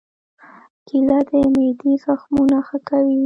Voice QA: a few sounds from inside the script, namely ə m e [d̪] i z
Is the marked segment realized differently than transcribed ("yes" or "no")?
no